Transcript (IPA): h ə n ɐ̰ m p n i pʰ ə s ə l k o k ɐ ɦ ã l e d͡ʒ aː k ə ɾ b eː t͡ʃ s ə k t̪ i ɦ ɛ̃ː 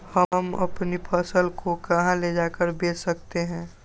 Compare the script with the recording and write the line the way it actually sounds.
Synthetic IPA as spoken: h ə m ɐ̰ p n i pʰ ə s ə l k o k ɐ ɦ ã l e d͡ʒ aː k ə ɾ b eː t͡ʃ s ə k t̪ e ɦ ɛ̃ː

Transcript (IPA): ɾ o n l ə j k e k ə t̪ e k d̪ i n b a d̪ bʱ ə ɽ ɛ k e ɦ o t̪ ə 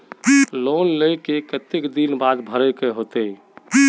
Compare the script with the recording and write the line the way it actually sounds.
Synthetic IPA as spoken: l o n l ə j k e k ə t̪ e k d̪ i n b a d̪ bʱ ə ɾ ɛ k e ɦ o t̪ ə

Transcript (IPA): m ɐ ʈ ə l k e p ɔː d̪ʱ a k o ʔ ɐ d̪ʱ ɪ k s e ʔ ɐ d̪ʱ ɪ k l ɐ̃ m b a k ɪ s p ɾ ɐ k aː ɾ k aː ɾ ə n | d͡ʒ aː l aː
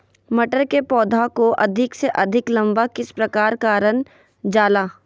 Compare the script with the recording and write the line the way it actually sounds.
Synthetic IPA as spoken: m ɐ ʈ ə ɾ k e p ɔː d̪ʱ a k o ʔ ɐ d̪ʱ ɪ k s e ʔ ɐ d̪ʱ ɪ k l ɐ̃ m b a k ɪ s p ɾ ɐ k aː ɾ k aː ɾ ə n | d͡ʒ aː l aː

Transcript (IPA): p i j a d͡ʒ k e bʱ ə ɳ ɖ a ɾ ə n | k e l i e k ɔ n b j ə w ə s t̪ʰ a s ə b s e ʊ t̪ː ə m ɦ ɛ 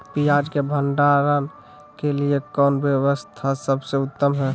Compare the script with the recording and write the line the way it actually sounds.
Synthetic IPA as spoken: p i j a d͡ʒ k e bʱ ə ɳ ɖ a ɾ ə n | k e l i e k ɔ n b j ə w ə s t̪ʰ a s ə b s e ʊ t̪ː ə m ɦ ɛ

